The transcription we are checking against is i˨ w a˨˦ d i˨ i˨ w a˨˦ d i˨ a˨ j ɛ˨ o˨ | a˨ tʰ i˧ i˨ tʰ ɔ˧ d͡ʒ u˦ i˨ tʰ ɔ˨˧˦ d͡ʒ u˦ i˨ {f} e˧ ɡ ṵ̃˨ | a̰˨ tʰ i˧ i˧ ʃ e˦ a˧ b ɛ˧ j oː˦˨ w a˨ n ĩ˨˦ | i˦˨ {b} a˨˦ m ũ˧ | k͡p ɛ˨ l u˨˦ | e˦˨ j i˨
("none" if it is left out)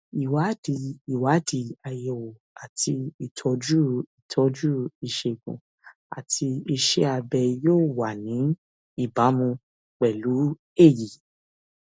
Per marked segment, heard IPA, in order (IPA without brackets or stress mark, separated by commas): ʃ, b